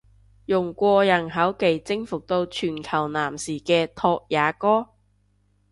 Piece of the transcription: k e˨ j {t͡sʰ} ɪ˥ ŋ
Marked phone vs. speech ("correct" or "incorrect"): incorrect